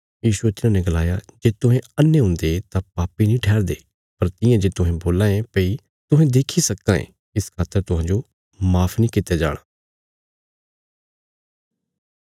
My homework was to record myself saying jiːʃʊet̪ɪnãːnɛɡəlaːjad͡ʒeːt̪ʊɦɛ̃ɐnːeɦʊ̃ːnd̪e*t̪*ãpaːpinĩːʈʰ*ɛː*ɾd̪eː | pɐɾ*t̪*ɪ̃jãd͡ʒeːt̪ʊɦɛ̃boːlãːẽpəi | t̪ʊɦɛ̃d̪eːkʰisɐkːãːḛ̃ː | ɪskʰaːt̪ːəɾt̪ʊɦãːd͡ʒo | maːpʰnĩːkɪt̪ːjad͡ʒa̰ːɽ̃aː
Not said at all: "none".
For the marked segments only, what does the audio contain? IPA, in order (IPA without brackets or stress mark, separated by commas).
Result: t̪, ɛː, t̪